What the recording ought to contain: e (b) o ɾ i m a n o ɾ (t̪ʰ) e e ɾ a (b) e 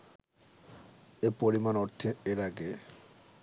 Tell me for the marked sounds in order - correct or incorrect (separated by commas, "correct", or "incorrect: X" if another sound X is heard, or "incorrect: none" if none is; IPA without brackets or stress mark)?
incorrect: p, correct, incorrect: ɡ